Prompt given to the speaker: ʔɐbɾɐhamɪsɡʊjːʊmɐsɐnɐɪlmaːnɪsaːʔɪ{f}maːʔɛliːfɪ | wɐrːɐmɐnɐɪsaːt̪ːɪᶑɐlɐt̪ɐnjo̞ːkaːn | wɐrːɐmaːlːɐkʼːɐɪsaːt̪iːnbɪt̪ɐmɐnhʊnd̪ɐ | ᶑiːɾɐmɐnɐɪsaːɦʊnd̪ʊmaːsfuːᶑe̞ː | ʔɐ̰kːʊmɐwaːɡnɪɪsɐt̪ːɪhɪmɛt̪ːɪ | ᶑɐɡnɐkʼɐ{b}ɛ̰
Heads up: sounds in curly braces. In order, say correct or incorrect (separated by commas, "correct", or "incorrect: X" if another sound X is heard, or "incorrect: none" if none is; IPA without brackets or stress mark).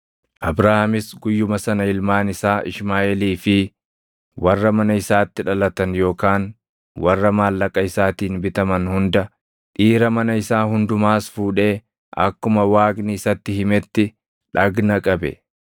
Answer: incorrect: ʃ, correct